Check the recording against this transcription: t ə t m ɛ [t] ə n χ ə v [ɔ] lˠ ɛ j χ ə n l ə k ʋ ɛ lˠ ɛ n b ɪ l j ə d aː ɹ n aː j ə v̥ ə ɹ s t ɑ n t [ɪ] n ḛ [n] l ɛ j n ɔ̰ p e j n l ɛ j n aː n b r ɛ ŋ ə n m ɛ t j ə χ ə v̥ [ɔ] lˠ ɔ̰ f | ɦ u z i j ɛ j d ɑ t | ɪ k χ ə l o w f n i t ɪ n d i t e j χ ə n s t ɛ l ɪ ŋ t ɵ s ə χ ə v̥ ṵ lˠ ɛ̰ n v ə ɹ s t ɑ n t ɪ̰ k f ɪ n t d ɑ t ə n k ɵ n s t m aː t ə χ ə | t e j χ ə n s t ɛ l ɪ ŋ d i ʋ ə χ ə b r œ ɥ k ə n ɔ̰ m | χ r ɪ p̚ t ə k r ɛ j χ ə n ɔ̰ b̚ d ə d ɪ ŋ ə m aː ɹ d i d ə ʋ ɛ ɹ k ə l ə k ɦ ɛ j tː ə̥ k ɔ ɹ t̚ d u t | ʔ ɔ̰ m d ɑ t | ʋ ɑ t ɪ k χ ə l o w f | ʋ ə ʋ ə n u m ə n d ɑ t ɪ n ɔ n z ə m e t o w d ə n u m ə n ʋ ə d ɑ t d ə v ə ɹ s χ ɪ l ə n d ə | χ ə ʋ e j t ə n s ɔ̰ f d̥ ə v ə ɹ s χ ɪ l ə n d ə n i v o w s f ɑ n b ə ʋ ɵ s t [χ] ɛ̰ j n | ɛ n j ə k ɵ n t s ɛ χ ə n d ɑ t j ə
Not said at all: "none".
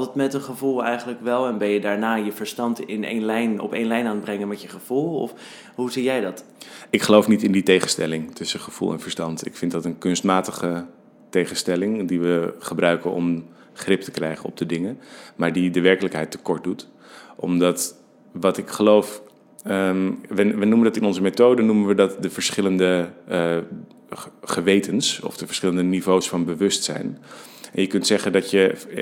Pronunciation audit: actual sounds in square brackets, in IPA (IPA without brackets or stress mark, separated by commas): t, u, ɪ, n, u, s